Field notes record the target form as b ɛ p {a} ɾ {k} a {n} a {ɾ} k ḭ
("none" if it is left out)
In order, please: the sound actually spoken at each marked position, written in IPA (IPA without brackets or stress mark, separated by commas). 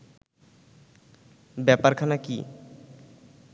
a, kʰ, n, none